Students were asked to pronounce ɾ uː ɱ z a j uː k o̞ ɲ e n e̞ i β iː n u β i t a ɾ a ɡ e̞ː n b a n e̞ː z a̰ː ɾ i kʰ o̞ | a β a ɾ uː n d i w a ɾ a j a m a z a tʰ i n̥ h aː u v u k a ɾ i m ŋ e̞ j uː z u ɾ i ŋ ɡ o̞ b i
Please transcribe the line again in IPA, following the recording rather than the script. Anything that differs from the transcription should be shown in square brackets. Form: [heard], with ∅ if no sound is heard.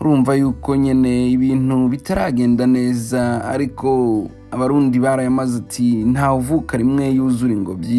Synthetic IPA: ɾ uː ɱ [v] a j uː k o̞ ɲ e n e̞ i β iː n u β i t a ɾ a ɡ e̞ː n [d] a n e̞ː z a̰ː ɾ i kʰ o̞ | a β a ɾ uː n d i [β] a ɾ a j a m a z a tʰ i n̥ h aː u v u k a ɾ i m ŋ e̞ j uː z u ɾ i ŋ ɡ o̞ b i